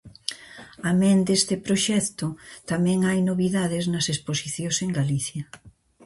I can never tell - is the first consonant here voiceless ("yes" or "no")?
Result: no